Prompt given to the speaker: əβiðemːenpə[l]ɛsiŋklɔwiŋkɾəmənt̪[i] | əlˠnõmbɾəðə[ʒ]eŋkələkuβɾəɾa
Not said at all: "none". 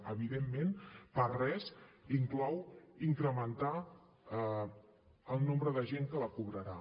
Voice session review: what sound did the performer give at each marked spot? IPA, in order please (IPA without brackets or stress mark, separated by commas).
r, a, ʒ